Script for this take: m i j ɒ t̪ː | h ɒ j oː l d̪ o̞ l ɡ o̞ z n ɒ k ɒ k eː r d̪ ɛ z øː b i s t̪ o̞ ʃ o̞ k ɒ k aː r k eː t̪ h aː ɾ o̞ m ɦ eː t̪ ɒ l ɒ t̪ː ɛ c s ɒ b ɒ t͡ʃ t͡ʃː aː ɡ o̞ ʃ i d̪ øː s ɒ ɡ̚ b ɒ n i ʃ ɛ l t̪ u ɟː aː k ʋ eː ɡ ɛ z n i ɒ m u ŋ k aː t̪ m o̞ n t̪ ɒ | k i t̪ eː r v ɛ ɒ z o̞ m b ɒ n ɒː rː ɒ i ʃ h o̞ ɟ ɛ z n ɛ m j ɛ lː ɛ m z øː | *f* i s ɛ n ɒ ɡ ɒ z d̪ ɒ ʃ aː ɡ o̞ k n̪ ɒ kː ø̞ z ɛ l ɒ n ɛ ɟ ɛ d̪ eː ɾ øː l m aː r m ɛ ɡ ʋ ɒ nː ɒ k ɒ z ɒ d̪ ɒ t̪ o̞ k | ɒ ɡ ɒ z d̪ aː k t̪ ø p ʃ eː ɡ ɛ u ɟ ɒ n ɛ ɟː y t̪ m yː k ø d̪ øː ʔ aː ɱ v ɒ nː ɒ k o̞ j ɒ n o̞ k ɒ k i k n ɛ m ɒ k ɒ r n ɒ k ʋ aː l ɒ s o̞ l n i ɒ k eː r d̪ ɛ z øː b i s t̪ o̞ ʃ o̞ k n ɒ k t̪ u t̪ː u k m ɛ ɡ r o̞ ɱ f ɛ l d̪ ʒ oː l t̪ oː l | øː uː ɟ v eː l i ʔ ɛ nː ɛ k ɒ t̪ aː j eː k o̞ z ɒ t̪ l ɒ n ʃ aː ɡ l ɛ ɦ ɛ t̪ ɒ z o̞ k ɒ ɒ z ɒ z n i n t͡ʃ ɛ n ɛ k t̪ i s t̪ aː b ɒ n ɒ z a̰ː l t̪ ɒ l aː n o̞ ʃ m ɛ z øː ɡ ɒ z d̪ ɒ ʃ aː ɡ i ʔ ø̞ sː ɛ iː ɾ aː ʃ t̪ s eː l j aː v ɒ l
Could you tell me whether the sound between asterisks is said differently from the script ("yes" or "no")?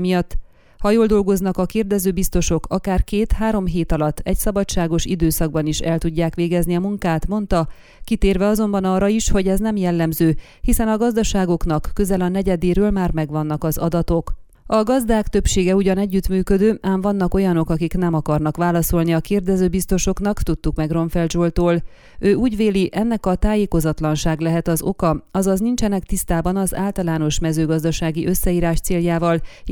yes